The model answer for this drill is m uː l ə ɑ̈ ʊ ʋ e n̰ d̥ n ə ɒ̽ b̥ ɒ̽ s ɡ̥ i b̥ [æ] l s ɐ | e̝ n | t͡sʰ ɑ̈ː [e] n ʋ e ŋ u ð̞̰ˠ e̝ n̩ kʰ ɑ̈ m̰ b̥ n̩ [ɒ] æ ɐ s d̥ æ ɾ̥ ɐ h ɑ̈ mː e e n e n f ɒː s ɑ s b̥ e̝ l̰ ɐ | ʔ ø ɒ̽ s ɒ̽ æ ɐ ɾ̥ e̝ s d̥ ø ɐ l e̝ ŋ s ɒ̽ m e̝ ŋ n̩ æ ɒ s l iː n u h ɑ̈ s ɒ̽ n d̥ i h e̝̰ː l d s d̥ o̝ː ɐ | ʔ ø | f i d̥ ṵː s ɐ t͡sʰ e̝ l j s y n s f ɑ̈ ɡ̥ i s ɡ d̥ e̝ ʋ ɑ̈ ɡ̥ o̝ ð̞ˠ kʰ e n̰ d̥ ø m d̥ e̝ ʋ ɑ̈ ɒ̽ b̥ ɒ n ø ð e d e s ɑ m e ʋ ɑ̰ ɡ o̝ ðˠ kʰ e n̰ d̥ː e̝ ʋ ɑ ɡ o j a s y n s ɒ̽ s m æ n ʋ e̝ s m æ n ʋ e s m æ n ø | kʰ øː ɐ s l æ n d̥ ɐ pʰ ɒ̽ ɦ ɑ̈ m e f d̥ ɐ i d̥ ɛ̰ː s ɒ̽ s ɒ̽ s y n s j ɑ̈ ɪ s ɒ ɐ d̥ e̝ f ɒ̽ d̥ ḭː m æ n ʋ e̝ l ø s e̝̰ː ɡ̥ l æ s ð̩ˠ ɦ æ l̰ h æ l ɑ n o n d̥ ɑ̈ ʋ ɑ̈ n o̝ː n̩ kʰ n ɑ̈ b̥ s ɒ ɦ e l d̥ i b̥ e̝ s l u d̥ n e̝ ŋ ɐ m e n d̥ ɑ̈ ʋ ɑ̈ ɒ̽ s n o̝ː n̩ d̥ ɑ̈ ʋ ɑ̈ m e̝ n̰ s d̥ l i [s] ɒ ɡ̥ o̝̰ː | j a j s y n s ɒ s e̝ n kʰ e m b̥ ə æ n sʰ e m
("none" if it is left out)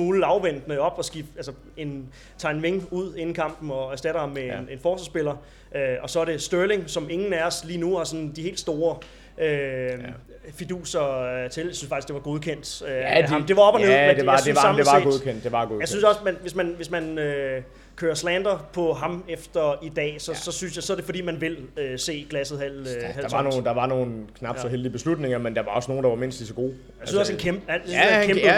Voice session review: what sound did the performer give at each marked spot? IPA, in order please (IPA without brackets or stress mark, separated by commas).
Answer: æ, e, ɒ, s